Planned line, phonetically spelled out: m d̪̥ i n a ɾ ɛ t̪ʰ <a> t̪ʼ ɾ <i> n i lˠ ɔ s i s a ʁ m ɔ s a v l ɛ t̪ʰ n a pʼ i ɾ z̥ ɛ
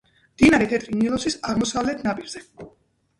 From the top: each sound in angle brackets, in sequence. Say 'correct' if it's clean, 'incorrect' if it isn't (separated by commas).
incorrect, correct